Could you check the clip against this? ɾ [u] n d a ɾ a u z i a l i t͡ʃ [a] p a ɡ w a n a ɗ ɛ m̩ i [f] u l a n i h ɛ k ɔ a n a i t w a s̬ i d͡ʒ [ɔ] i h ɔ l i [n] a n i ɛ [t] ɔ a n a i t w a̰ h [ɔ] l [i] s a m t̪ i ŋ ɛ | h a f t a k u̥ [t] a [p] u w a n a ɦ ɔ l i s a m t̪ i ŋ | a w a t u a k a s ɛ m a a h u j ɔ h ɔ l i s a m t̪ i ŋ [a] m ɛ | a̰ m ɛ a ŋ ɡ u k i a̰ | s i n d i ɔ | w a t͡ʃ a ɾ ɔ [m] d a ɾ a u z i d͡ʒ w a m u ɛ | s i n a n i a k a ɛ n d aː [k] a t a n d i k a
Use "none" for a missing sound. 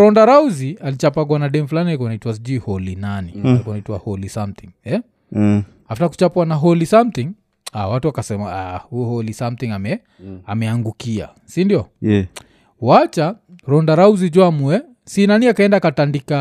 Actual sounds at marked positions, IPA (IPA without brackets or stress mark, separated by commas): ɔ, a, f, u, n, k, ɔ, i, t͡ʃ, p, a, n, k